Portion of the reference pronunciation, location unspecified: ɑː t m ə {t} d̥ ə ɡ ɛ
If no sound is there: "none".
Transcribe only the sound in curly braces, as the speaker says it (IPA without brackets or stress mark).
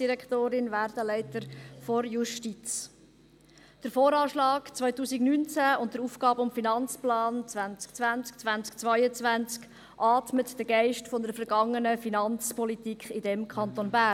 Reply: t